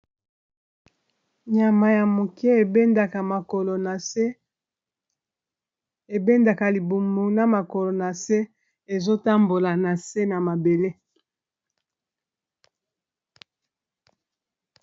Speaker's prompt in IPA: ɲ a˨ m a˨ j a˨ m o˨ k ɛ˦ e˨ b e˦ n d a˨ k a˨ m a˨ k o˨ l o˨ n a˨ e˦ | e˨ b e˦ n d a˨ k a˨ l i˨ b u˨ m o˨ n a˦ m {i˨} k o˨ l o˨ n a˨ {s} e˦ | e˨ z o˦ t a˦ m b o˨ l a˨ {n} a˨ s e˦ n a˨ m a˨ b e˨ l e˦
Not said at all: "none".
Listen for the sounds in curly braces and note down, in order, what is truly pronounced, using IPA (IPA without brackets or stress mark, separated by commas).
a˨, s, n